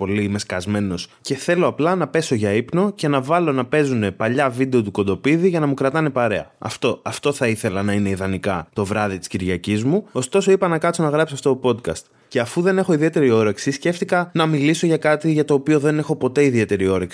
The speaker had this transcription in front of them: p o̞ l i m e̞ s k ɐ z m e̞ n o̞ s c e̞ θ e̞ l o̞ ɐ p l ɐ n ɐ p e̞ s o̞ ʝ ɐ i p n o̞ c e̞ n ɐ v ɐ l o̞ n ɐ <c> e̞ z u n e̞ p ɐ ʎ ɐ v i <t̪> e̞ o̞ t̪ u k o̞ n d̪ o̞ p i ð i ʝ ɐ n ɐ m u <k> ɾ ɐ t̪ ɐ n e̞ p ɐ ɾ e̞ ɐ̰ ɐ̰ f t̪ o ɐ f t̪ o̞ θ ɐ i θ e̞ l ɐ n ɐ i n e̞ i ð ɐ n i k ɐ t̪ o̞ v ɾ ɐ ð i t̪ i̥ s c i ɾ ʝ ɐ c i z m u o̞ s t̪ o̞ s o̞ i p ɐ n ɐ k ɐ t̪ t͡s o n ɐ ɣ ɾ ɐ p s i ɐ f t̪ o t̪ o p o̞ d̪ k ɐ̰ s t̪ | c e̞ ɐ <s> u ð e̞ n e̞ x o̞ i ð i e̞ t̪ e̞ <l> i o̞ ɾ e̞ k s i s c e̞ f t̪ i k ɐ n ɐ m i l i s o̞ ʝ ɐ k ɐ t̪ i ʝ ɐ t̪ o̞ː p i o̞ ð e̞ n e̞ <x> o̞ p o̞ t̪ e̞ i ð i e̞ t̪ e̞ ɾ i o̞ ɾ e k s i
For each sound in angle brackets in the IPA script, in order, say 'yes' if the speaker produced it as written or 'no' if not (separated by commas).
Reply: no, no, yes, no, no, yes